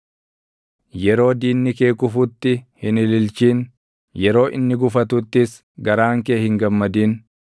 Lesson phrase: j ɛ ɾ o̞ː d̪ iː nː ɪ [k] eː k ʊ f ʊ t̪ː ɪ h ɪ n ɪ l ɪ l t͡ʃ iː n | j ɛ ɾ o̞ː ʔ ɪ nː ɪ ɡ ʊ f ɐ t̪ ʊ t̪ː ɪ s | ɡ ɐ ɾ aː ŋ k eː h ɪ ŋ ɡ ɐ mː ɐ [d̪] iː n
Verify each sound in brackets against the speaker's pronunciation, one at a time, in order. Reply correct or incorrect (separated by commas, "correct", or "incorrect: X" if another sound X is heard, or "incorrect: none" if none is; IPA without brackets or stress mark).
correct, correct